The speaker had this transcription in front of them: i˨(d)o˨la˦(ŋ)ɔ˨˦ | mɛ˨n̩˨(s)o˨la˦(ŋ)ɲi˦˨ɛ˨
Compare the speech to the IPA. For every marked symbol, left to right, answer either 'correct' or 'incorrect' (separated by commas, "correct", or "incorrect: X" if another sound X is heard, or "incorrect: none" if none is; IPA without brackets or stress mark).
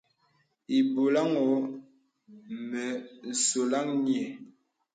incorrect: b, correct, correct, correct